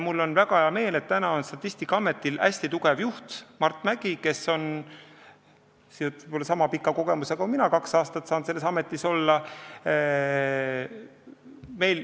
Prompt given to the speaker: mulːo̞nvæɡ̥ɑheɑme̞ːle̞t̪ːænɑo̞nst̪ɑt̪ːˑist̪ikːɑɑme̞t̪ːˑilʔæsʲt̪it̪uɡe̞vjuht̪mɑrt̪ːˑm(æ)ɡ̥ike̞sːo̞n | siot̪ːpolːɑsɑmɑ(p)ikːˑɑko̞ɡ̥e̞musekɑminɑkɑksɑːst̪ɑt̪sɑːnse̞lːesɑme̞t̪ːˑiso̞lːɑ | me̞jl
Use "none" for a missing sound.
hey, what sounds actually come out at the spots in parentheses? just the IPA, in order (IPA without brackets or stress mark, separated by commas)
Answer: æ, p